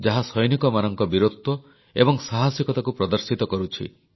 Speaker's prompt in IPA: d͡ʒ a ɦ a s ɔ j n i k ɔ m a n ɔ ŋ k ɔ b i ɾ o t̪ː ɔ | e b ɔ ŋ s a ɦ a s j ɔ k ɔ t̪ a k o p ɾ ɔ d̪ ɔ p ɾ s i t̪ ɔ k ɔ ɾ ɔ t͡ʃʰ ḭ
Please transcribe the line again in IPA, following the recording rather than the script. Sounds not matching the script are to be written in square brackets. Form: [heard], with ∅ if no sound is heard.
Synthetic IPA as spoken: d͡ʒ a ɦ a s ɔ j n i k ɔ m a n ɔ ŋ k ɔ b i ɾ o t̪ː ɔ | e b ɔ ŋ s a ɦ a s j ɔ k ɔ t̪ a k [u] p ɾ ɔ d̪ ɔ [∅] ɾ s i t̪ ɔ k ɔ ɾ [u] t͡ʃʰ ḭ